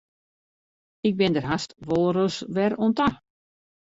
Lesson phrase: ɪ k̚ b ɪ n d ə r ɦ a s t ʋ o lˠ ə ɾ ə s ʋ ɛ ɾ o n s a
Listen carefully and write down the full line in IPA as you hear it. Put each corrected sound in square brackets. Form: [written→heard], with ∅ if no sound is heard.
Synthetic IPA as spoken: ɪ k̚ b ɪ n d ə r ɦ a s t ʋ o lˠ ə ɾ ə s ʋ ɛ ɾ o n [s→t] a